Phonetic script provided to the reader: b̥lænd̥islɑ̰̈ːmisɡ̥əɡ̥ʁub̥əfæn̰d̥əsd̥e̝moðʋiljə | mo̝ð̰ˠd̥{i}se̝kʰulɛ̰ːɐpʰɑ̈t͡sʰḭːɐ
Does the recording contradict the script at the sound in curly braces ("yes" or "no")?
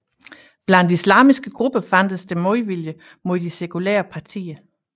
no